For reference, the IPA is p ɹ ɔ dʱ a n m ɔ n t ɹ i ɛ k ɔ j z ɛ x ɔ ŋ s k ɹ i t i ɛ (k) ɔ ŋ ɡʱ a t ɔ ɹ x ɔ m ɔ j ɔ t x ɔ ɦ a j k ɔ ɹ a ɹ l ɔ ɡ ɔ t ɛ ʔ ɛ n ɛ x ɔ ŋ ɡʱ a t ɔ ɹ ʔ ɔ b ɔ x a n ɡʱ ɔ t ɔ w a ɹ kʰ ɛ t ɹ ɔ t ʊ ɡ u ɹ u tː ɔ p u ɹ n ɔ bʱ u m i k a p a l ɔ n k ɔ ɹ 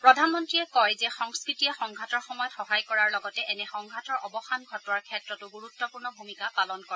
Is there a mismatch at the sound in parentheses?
yes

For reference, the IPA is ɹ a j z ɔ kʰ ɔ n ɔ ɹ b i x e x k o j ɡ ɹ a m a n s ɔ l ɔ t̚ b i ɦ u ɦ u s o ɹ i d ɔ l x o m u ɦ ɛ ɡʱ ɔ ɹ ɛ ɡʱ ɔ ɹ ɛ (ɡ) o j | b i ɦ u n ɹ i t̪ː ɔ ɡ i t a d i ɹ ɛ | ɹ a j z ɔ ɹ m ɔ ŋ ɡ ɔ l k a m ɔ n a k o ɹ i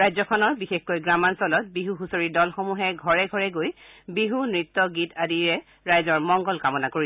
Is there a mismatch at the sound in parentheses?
no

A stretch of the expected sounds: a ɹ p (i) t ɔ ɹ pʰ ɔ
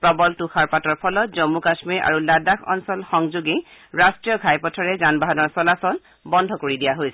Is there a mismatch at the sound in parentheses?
yes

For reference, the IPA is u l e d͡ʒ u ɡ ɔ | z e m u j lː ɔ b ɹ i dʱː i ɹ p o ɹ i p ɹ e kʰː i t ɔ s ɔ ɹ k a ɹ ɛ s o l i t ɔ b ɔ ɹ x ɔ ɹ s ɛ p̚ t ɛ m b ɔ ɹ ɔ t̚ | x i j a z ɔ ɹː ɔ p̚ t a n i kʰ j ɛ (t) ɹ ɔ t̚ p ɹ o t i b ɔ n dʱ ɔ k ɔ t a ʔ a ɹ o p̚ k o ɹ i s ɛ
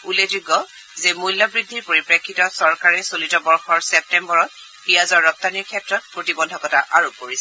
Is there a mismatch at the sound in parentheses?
no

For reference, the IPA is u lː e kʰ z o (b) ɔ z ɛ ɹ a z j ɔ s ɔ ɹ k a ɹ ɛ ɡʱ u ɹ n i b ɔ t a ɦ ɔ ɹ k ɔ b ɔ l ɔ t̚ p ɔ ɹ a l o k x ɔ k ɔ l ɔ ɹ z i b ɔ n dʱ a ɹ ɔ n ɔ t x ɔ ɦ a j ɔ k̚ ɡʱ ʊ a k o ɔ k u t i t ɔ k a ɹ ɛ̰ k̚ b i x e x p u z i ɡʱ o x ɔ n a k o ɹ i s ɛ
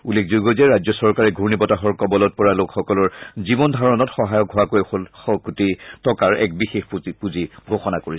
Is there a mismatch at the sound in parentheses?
yes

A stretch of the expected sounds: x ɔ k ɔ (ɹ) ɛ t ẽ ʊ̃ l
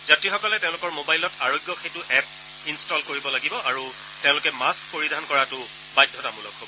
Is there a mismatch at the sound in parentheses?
yes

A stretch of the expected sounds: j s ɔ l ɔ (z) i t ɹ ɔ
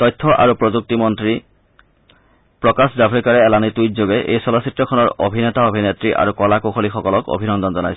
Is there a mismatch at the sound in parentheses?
yes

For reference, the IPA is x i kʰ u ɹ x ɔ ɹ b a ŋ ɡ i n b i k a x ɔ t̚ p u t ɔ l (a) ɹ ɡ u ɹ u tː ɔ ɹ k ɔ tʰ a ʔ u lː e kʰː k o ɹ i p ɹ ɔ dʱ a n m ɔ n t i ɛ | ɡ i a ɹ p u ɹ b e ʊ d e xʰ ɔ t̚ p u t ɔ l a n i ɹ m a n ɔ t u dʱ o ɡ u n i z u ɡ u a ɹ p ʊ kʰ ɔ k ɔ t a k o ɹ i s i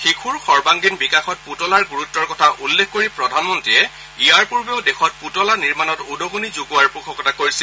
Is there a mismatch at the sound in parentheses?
no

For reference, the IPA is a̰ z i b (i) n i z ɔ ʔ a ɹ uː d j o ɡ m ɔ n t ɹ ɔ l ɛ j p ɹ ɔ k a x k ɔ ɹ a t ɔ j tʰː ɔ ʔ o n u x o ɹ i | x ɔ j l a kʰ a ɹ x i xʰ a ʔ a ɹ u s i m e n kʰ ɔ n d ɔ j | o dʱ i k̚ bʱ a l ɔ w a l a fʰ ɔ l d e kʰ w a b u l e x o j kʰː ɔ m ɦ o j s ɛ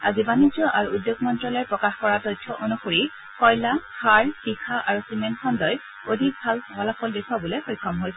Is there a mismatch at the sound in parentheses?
yes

